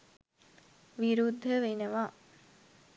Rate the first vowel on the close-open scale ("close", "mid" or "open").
close